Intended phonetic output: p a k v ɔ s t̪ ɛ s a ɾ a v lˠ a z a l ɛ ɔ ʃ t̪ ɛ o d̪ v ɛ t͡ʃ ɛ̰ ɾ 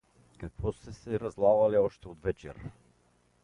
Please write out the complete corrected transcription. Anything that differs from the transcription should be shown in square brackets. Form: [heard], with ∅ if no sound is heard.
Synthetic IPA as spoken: [k] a k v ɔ s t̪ ɛ s [ɛ] ɾ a [z] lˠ a [v] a l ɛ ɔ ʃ t̪ ɛ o d̪ v ɛ t͡ʃ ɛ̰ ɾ

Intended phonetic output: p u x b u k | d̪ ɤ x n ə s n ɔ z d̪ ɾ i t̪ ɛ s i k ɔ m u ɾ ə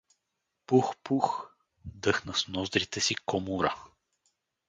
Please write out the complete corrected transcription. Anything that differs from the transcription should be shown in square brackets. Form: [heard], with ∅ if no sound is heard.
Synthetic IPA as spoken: p u x [p] u [x] | d̪ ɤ x n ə s n ɔ z d̪ ɾ i t̪ ɛ s i k ɔ m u ɾ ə

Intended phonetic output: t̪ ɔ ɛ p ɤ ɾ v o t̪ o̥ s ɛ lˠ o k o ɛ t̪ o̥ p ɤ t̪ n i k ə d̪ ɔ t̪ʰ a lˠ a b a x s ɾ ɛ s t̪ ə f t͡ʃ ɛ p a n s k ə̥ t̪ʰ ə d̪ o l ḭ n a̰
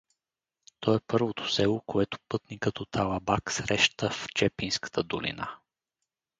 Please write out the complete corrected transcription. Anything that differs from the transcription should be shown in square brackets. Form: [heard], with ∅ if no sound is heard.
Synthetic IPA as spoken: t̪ ɔ ɛ p ɤ ɾ v o t̪ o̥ s ɛ lˠ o k o ɛ t̪ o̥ p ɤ t̪ n i k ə [t̪] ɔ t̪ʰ a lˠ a b a [k] s ɾ ɛ [ʃ] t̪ ə f t͡ʃ ɛ p [i] n s k ə̥ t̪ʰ ə d̪ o l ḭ n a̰

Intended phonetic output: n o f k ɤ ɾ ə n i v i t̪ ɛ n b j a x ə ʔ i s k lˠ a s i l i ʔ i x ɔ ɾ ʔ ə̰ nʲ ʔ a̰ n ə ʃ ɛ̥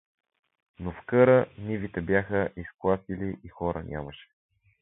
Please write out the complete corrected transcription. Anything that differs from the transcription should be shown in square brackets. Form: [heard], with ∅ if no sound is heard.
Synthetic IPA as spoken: n o f k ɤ ɾ ə n i v i t̪ ɛ [∅] b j a x ə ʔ i s k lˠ a s i l i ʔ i x ɔ ɾ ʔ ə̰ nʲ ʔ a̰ [m] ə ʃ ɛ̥

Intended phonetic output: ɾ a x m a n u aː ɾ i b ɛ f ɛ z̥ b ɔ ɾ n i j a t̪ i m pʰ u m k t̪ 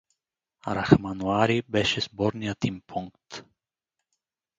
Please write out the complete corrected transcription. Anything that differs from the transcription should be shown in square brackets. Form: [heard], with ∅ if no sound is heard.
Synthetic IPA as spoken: ɾ a x m a n u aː ɾ i b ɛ [ʃ] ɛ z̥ b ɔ ɾ n i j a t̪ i m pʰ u [ŋ] k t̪

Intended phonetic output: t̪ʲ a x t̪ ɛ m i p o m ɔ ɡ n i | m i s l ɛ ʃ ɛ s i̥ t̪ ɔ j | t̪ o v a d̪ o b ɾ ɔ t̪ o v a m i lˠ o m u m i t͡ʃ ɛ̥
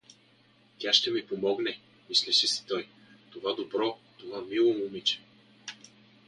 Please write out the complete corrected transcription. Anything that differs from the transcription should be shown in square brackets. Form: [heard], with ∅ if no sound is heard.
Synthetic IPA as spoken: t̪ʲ a [ʃ] t̪ ɛ m i p o m ɔ ɡ n [ɛ] | m i s l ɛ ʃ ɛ s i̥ t̪ ɔ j | t̪ o v a d̪ o b ɾ ɔ t̪ o v a m i lˠ o m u m i t͡ʃ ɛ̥

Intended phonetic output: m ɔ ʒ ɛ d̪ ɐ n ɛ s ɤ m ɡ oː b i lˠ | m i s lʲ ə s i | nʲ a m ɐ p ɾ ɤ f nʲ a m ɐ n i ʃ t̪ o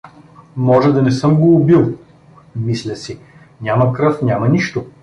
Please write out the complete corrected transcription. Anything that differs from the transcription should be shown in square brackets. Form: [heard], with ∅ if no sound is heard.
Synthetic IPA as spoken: m ɔ ʒ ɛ d̪ ɐ n ɛ s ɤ m ɡ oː b i lˠ | m i s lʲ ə s i | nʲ a m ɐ [k] ɾ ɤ f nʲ a m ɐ n i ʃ t̪ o

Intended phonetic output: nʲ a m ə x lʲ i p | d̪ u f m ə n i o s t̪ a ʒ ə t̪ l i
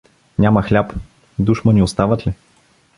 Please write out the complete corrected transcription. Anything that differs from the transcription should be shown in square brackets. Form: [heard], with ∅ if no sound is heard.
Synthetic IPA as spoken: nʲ a m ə x lʲ [a] p | d̪ u [ʃ] m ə n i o s t̪ a [v] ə t̪ l i

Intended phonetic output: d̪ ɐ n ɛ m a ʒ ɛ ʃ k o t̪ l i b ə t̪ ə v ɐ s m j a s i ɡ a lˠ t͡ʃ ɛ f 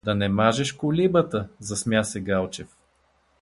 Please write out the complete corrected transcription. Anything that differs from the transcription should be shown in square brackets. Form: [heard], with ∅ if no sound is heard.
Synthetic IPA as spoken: d̪ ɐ n ɛ m a ʒ ɛ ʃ k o [∅] l i b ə t̪ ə [z] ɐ s m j a s [ɛ] ɡ a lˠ t͡ʃ ɛ f

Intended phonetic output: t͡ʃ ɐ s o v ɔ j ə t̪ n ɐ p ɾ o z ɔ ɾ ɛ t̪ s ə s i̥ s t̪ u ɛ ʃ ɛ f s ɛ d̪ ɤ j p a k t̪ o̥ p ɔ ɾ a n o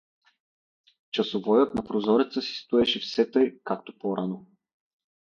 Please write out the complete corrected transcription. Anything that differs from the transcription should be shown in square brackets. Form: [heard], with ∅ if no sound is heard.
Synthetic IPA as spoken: t͡ʃ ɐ s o v ɔ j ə t̪ n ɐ p ɾ o z ɔ ɾ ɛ t̪ s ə s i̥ s t̪ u ɛ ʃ ɛ f s ɛ [t̪] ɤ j [k] a k t̪ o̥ p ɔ ɾ a n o

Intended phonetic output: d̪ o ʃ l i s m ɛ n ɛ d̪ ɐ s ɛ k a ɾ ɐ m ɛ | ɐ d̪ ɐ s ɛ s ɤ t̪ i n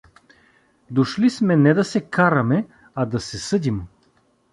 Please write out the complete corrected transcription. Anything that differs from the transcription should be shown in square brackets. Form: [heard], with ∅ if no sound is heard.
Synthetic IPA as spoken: d̪ o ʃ l i s m ɛ n ɛ d̪ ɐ s ɛ k a ɾ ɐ m ɛ | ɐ d̪ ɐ s ɛ s ɤ [d̪] i [m]

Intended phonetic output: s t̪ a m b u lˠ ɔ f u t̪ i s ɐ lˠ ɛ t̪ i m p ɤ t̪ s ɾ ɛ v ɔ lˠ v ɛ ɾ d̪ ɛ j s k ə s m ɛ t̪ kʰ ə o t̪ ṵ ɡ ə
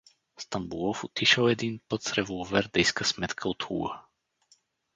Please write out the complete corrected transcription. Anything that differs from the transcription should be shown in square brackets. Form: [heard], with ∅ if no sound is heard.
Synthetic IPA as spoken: s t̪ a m b u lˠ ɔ f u t̪ i [ʃ] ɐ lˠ ɛ [d̪] i [n] p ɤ t̪ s ɾ ɛ v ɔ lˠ v ɛ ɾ d̪ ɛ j s k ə s m ɛ t̪ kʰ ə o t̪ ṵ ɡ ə

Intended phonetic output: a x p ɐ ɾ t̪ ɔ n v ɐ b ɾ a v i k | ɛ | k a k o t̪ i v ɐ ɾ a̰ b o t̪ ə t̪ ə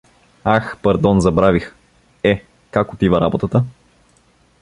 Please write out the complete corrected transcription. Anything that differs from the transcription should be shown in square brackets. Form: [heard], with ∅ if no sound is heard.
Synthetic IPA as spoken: a x p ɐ ɾ [d̪] ɔ n [z] ɐ b ɾ a v i [x] | ɛ | k a k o t̪ i v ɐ ɾ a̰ b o t̪ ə t̪ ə

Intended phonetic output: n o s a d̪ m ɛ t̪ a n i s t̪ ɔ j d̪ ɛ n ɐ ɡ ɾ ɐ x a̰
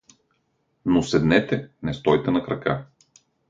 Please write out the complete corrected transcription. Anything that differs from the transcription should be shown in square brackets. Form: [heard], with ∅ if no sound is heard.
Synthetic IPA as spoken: n o s [ɛ] d̪ [n] ɛ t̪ [ɛ] n [ɛ] s t̪ ɔ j [t̪] ɛ n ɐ [k] ɾ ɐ [k] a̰

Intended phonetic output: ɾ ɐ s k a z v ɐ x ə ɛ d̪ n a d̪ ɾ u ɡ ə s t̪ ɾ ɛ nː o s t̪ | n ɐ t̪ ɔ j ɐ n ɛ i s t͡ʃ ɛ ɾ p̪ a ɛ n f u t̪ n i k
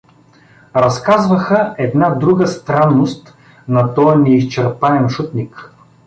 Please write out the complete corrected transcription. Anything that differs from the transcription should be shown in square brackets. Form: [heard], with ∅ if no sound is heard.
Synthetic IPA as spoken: ɾ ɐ s k a z v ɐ x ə ɛ d̪ n a d̪ ɾ u ɡ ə s t̪ ɾ [a] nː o s t̪ | n ɐ t̪ ɔ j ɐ n ɛ i s t͡ʃ ɛ ɾ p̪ a ɛ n [ʃ] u t̪ n i k

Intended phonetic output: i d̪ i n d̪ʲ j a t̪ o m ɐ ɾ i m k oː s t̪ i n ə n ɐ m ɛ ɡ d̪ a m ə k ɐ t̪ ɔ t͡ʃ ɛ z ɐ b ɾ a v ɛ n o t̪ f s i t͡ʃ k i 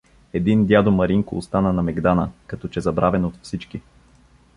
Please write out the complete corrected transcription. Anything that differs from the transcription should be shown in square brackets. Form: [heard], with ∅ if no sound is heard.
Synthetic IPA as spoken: [ɛ] d̪ i n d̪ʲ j a [d̪] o m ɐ ɾ i [ŋ] k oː s t̪ [a] n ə n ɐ m ɛ ɡ d̪ a [n] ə k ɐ t̪ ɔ t͡ʃ ɛ z ɐ b ɾ a v ɛ n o t̪ f s i t͡ʃ k i

